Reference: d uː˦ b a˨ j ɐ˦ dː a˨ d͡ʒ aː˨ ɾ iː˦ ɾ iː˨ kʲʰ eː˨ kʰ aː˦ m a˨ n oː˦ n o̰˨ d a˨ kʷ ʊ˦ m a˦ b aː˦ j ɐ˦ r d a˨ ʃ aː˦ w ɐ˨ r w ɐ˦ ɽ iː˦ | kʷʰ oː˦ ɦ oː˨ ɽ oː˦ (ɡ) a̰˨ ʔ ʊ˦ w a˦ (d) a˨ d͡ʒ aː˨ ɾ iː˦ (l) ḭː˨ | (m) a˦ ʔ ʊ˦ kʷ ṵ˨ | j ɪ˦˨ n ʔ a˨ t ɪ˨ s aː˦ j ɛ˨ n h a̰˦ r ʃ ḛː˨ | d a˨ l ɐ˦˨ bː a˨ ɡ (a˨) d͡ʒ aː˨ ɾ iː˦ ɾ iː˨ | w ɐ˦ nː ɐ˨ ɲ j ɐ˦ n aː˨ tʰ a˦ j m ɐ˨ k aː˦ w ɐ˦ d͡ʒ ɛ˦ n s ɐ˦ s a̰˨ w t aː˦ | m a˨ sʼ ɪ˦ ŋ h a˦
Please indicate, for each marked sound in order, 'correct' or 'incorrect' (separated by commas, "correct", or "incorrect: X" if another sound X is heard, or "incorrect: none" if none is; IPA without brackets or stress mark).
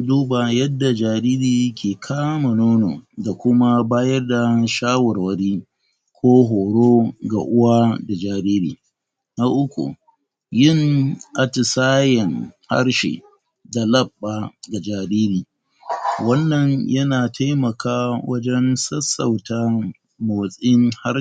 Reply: correct, correct, incorrect: ɾ, incorrect: n, correct